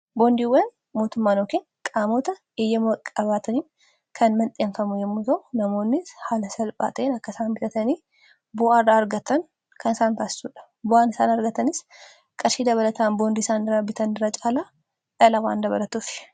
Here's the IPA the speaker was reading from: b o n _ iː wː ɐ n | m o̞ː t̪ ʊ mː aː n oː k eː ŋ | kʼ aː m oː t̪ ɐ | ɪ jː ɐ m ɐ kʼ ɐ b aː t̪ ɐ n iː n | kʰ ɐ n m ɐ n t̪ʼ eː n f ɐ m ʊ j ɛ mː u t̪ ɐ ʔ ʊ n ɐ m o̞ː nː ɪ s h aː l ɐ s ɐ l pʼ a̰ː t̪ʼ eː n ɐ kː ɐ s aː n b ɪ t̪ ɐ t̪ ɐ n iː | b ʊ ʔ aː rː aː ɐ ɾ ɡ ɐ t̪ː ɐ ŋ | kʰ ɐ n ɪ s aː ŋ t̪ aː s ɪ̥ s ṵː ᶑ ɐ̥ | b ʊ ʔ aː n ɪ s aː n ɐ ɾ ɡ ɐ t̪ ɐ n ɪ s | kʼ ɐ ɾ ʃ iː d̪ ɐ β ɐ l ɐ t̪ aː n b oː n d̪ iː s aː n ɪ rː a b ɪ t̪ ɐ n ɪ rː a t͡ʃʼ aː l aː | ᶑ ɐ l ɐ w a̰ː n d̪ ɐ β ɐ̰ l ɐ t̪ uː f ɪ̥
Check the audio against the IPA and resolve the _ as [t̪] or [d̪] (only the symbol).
d̪